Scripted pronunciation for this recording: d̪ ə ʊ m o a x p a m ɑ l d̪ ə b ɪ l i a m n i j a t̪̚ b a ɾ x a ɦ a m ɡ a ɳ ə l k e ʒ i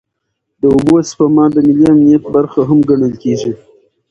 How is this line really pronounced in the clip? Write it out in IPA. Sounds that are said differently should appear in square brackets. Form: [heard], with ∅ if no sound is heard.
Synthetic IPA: d̪ ə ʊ [b] o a [s] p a m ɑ [∅] d̪ ə [m] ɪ l i a m n i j a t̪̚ b a ɾ x a ɦ a m ɡ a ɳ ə l k e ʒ i